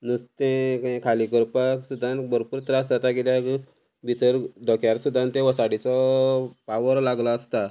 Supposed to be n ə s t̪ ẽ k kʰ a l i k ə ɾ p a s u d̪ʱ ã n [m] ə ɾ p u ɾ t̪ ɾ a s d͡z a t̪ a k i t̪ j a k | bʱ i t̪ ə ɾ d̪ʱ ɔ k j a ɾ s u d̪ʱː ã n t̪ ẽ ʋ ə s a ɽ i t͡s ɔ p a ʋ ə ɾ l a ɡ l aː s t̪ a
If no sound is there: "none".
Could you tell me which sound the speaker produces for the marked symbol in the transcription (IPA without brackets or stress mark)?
b